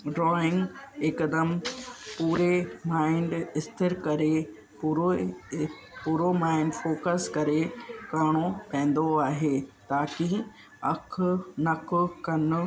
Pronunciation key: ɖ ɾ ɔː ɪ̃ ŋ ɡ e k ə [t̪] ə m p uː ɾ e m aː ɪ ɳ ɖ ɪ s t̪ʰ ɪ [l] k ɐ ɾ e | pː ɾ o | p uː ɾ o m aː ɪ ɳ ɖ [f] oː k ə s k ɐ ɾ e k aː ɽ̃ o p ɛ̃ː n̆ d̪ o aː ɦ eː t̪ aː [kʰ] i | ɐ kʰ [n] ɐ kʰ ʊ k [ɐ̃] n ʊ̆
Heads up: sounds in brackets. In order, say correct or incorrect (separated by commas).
incorrect, incorrect, correct, incorrect, correct, incorrect